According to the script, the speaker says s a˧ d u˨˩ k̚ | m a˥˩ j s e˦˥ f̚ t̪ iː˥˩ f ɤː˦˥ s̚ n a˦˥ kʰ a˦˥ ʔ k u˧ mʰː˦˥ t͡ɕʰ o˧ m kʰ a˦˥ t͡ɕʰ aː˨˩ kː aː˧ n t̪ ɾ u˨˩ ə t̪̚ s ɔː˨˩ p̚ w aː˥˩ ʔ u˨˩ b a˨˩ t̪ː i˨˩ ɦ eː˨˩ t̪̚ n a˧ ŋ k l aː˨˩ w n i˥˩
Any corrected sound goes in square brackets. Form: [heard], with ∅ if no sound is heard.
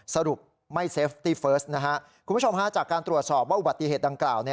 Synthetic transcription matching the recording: s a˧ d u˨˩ k̚ | m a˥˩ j s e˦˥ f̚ t̪ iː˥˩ f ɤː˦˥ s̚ n a˦˥ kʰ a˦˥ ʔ k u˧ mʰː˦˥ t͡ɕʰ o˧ m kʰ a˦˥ [t͡ɕ] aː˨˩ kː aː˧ n t̪ ɾ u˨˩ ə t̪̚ s ɔː˨˩ p̚ w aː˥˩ ʔ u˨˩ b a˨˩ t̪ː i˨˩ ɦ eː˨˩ t̪̚ [d] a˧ ŋ k l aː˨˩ w n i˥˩